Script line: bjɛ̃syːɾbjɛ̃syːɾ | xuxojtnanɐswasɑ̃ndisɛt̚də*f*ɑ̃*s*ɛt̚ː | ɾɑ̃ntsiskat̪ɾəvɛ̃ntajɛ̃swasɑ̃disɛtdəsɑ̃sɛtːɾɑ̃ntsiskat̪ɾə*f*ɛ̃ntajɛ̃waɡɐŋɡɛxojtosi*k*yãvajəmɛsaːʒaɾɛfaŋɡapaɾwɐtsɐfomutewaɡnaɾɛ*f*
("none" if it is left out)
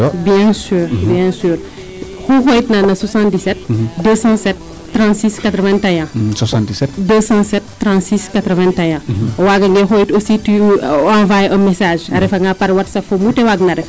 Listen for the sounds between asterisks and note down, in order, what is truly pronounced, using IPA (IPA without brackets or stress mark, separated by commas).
s, s, v, t, f